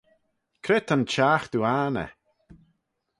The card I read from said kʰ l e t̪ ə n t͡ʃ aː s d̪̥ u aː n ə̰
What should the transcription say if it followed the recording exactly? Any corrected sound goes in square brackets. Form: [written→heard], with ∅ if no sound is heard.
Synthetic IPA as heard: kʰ [l→ɾ] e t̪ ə n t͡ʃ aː [s→x] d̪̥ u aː n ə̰

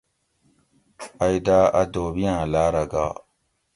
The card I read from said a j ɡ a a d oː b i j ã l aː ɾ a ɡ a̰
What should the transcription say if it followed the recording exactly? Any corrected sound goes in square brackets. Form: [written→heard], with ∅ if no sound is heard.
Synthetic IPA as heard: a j [ɡ→d] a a d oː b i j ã l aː ɾ a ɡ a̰

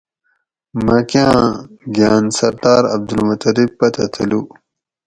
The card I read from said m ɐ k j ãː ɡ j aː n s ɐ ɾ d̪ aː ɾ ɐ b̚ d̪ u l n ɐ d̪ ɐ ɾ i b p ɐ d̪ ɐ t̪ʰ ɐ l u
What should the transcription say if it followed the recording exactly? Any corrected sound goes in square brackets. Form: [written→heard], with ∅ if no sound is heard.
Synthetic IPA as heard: m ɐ k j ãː ɡ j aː n s ɐ ɾ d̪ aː ɾ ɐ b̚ d̪ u l [n→m] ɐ [d̪→t̪] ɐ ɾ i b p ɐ [d̪→t̪] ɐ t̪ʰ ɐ l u

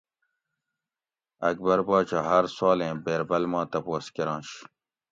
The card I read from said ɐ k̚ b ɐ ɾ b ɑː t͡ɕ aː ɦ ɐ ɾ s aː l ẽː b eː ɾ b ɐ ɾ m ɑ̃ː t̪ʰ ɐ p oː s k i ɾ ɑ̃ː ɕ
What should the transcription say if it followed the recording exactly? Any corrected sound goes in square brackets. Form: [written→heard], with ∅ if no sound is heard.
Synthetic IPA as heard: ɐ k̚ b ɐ ɾ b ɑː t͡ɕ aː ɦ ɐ ɾ s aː l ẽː b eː ɾ b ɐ [ɾ→l] m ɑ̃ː [t̪ʰ→t̪] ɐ p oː s k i ɾ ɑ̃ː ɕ

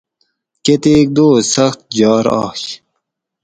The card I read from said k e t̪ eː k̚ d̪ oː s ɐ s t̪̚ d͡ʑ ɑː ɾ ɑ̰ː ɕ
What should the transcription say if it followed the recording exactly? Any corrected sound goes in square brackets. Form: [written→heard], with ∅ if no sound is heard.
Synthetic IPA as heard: k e t̪ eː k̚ d̪ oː s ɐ [s→x] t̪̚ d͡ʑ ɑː ɾ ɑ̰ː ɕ

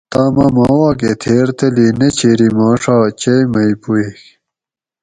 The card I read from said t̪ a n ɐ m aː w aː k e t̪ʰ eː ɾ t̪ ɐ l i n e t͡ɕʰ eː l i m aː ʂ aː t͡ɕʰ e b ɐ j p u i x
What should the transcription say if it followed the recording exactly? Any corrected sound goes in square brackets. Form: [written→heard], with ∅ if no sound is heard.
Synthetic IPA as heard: t̪ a [n→m] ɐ m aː w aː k e t̪ʰ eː ɾ t̪ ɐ l i n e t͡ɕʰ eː [l→ɾ] i m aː ʂ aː [t͡ɕʰ→t͡ɕ] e [b→m] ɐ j p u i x

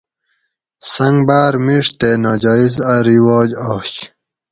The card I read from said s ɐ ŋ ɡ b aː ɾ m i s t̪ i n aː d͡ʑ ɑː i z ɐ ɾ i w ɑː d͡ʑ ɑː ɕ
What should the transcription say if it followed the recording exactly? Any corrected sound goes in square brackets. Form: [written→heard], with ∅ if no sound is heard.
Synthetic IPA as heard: s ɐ ŋ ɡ b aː ɾ m i [s→ʂ] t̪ [i→e] n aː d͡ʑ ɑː i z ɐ ɾ i w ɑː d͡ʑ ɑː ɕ

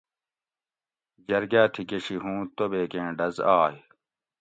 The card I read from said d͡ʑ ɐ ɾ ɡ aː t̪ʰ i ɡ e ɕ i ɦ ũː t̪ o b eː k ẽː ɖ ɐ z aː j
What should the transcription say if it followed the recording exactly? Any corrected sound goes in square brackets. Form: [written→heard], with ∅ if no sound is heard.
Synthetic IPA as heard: d͡ʑ ɐ ɾ ɡ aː t̪ʰ i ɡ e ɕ i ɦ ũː t̪ o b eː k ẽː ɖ ɐ z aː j

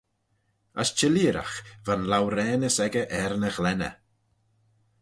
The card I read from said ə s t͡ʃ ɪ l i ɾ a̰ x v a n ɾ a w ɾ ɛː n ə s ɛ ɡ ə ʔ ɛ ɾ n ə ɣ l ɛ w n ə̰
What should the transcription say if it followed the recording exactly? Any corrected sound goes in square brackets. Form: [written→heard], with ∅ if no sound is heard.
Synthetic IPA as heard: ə s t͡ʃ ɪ l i ɾ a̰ x v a n [ɾ→l] a w ɾ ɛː n ə s ɛ ɡ ə ʔ ɛ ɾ n ə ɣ l ɛ [w→∅] n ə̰

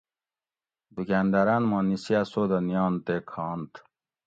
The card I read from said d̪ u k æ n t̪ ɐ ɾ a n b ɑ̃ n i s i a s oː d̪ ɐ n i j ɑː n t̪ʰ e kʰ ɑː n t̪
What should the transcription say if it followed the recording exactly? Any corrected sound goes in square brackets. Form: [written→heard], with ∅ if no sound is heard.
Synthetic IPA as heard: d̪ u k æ n [t̪→d̪] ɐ ɾ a n [b→m] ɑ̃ n i s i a s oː d̪ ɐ n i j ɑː n [t̪ʰ→t̪] e kʰ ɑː n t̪

